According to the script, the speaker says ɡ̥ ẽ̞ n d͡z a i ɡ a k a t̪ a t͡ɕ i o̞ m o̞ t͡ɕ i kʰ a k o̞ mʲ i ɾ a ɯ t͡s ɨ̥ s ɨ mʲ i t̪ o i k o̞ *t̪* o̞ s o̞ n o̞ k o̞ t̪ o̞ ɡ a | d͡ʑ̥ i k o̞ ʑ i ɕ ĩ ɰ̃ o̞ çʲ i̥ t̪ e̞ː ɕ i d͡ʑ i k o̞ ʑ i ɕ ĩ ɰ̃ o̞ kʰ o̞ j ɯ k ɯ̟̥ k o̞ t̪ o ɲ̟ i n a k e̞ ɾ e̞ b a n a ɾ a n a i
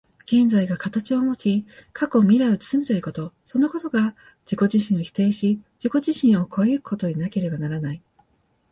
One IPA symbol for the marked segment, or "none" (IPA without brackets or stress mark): t̪